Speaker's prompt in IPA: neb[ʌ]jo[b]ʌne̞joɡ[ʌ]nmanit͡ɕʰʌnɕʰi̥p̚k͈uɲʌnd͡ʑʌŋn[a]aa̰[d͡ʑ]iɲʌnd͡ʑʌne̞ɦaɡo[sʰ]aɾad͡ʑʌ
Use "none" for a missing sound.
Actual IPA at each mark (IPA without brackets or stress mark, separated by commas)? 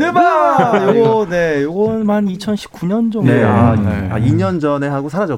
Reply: a, ɡ, ʌ, e, none, sʰ